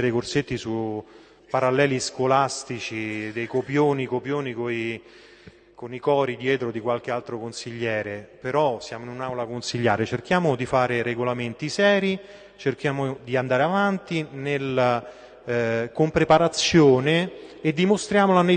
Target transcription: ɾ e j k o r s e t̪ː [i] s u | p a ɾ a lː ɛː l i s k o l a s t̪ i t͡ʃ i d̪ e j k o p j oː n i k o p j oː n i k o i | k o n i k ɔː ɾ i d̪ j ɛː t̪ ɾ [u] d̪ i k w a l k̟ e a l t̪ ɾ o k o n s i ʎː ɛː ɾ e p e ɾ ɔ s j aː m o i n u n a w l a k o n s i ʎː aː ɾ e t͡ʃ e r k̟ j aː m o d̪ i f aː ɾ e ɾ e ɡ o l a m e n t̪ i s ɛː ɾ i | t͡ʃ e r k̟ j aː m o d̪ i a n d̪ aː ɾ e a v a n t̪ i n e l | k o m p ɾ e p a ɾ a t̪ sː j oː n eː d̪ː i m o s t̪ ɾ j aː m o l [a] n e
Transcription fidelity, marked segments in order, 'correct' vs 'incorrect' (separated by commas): correct, incorrect, correct